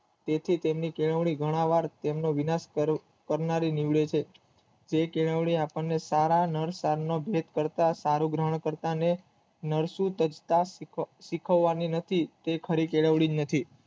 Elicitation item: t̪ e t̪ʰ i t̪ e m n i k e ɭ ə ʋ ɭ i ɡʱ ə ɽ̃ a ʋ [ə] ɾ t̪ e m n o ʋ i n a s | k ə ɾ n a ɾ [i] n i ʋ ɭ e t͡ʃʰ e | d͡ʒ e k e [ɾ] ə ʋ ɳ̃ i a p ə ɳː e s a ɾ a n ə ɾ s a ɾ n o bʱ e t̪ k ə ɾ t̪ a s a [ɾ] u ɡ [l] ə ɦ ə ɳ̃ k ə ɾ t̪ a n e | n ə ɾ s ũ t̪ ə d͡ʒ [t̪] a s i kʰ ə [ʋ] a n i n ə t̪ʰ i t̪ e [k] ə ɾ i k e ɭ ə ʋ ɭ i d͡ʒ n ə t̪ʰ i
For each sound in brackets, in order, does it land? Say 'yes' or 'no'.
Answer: no, yes, no, yes, no, yes, no, no

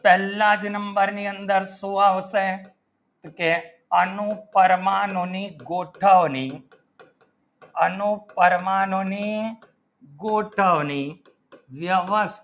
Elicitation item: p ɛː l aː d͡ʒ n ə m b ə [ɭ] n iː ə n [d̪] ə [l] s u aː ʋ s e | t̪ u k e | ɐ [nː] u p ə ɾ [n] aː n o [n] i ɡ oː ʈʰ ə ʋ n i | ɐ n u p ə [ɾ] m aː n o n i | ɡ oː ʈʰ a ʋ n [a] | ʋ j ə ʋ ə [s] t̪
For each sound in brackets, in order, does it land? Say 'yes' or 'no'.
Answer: no, yes, no, no, no, yes, yes, no, yes

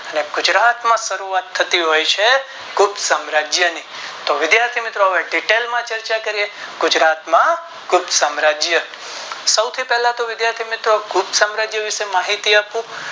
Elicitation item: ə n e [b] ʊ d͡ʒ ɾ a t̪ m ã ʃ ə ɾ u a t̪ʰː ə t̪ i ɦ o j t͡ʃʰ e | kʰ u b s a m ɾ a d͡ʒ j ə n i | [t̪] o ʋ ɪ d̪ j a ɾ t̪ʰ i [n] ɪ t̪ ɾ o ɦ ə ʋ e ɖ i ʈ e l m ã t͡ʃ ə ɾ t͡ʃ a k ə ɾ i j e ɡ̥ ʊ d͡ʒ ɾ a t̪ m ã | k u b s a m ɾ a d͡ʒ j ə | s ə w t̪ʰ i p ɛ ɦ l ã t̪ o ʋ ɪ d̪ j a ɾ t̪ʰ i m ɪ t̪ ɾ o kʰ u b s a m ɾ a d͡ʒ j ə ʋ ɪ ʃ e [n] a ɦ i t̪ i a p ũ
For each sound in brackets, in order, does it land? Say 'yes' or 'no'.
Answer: no, yes, no, no

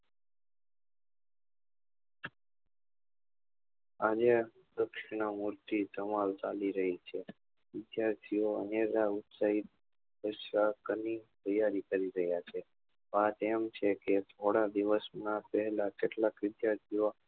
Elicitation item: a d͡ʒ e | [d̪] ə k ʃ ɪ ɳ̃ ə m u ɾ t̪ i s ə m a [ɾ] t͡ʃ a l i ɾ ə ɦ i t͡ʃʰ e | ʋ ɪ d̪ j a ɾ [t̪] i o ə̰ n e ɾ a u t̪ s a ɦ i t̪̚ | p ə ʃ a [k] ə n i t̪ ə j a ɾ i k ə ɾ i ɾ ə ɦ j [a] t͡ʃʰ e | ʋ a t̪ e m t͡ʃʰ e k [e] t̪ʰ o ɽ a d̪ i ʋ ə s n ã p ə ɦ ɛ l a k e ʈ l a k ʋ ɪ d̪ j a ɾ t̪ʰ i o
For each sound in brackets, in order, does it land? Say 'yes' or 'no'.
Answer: yes, no, no, yes, yes, yes

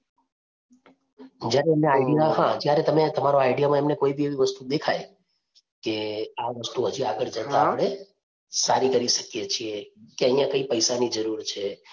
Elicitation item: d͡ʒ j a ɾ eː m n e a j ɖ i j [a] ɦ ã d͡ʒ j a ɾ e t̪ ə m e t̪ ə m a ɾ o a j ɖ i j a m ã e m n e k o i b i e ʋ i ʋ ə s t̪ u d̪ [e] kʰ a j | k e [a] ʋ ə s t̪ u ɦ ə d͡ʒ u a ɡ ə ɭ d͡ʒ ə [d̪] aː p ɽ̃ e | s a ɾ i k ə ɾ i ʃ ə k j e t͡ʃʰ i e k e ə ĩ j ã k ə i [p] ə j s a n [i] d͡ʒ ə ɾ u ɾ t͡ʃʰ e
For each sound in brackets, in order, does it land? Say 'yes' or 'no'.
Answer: yes, yes, yes, no, yes, yes

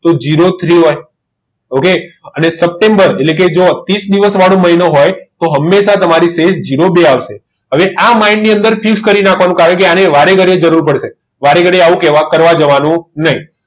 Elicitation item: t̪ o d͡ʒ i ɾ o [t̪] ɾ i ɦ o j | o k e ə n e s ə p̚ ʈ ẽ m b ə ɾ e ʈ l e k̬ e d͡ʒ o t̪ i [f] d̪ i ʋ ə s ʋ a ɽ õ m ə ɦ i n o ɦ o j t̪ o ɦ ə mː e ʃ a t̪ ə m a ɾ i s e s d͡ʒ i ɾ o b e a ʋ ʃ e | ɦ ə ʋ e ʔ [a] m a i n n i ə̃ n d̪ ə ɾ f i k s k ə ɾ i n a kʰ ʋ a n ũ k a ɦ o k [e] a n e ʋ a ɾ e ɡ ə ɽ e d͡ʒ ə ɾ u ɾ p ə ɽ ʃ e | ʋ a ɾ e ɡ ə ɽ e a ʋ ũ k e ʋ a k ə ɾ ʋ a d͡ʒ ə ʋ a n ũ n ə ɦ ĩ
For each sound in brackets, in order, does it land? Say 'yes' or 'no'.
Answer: no, no, yes, yes

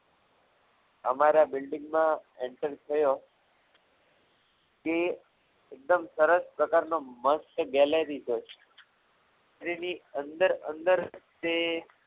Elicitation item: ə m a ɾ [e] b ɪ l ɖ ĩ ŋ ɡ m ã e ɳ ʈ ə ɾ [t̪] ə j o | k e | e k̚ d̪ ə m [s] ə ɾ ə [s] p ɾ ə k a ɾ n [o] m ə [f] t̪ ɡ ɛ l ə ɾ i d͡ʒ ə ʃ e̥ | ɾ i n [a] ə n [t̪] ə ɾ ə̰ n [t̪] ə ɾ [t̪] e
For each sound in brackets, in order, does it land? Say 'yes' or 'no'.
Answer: no, no, yes, yes, yes, no, no, no, no, yes

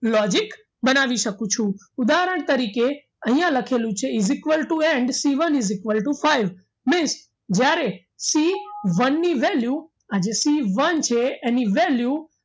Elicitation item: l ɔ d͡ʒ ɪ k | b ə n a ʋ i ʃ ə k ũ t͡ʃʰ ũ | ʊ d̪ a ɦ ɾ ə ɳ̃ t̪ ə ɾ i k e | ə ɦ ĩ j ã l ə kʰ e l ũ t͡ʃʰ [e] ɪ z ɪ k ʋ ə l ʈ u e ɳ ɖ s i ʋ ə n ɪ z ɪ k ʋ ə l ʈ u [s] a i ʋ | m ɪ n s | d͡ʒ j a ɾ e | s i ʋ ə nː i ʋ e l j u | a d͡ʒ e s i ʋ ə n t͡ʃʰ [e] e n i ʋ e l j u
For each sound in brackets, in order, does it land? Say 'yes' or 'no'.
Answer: yes, no, yes

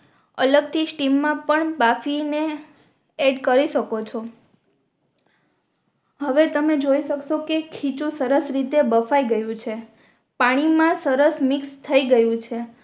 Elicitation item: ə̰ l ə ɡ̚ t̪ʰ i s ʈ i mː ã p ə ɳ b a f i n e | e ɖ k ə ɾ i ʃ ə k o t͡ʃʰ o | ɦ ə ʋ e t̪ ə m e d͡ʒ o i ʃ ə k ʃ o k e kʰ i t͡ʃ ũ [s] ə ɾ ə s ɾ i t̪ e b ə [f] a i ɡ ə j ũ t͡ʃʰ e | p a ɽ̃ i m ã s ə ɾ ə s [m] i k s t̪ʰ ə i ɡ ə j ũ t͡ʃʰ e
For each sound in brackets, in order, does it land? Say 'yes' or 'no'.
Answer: yes, yes, yes

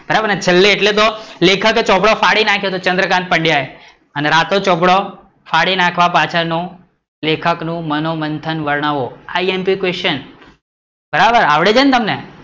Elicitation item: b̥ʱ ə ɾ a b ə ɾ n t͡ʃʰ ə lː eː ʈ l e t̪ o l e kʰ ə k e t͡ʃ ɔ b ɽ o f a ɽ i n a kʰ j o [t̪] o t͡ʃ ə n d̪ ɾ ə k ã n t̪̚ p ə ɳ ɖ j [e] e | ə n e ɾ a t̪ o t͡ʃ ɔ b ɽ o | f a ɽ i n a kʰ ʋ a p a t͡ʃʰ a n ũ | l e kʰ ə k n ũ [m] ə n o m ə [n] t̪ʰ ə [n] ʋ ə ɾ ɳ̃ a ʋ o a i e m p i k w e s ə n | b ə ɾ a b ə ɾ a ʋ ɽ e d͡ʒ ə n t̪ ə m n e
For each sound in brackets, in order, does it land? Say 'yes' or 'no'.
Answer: yes, no, yes, yes, yes

